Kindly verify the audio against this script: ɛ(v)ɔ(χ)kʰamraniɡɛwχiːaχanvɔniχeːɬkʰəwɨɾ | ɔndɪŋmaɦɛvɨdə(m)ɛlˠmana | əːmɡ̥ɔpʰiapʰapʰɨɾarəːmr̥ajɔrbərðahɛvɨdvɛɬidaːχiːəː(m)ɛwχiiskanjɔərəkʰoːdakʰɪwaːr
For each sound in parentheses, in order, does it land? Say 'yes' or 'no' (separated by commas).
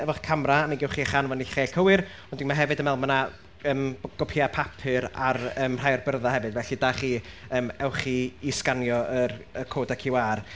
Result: yes, yes, yes, yes